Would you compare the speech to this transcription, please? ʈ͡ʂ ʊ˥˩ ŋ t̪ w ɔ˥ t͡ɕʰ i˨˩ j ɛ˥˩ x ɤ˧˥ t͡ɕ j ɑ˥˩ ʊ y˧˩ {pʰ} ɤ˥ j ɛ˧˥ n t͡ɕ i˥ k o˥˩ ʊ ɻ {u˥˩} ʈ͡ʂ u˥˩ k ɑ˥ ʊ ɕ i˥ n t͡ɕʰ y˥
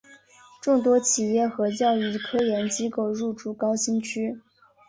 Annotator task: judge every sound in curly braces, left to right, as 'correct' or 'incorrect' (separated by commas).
incorrect, correct